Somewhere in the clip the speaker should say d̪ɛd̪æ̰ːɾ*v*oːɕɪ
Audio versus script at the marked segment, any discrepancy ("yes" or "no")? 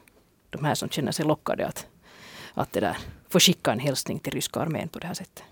yes